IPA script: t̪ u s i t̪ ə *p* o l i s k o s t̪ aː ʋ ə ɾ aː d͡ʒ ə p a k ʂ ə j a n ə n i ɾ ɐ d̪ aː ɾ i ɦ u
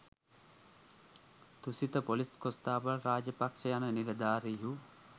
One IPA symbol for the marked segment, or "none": p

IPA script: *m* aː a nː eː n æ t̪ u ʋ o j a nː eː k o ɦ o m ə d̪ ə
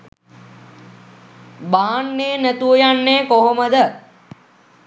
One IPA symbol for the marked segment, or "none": b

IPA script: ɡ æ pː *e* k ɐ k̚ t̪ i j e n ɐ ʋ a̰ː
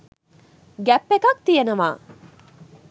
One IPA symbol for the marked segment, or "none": e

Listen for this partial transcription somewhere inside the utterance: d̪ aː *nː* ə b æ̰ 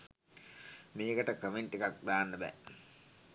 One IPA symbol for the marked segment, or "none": nː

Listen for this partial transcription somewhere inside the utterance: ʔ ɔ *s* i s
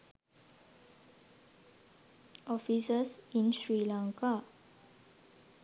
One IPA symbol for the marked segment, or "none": f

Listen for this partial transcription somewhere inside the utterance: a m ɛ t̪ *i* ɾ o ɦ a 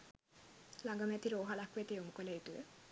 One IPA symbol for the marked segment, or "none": i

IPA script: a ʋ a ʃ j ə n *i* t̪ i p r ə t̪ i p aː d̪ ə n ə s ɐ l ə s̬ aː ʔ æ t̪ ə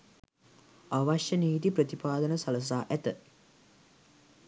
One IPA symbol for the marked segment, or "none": iː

